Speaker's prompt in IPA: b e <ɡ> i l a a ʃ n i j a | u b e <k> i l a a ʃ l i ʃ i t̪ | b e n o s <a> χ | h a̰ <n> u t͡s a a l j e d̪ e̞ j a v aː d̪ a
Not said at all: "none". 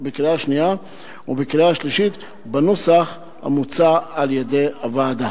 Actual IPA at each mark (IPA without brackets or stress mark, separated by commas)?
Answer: k, k, a, m